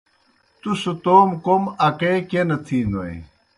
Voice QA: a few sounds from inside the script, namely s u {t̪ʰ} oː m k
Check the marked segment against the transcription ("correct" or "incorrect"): incorrect